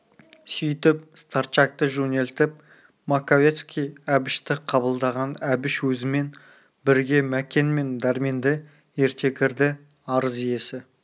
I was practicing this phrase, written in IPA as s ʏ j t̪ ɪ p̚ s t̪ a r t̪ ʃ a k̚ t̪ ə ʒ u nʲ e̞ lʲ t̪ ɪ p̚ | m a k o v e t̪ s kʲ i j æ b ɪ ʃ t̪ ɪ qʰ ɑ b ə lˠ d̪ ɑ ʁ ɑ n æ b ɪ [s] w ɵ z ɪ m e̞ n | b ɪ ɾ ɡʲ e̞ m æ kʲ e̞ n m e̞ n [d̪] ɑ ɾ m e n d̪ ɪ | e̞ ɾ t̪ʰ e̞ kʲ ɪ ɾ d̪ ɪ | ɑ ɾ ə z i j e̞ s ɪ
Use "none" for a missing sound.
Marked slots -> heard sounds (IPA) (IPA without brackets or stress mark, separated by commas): ʃ, d̪